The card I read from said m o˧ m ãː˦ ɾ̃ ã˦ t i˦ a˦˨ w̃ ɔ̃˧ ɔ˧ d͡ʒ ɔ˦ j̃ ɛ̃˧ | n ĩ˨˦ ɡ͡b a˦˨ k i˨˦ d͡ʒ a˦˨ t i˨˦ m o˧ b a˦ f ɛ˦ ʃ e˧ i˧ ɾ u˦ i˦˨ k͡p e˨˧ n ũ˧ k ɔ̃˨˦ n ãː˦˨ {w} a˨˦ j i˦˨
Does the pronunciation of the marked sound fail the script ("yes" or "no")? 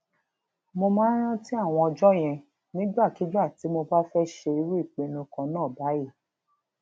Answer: yes